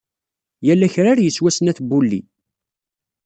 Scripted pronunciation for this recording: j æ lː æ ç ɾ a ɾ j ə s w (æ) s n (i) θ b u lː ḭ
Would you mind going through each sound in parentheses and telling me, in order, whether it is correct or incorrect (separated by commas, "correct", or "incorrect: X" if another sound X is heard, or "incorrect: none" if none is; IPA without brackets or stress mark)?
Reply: correct, incorrect: æ